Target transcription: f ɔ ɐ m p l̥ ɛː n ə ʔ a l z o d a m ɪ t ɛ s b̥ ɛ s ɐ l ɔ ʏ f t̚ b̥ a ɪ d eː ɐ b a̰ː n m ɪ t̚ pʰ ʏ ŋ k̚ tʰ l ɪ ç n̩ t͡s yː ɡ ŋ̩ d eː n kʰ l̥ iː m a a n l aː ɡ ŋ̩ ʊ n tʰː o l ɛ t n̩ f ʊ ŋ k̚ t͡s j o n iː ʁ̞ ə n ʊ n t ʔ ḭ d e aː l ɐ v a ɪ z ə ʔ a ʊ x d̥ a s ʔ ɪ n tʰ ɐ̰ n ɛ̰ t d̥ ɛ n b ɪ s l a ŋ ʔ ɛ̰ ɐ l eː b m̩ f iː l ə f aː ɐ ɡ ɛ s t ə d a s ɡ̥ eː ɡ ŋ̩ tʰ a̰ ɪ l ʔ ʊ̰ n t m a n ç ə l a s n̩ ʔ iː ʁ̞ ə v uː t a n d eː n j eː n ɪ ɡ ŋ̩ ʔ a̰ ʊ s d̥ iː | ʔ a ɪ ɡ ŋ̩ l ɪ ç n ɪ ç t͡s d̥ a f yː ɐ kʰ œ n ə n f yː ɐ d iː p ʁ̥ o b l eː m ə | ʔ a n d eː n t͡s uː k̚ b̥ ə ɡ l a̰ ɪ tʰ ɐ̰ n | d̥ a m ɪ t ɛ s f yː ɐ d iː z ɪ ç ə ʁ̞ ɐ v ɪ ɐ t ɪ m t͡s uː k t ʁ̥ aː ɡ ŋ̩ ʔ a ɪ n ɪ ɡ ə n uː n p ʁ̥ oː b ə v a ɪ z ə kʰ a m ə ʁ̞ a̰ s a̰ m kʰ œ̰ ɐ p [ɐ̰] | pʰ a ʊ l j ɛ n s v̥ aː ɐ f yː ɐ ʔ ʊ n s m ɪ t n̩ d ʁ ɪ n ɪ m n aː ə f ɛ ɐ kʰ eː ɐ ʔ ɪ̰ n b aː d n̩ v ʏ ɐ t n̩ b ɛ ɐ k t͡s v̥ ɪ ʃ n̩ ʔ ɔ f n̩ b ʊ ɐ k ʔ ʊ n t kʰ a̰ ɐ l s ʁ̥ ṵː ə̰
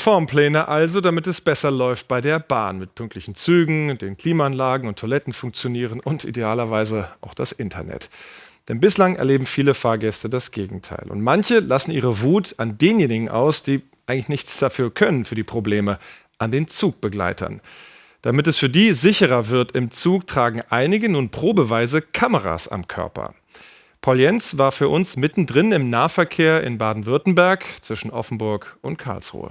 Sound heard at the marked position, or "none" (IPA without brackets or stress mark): ɐ̰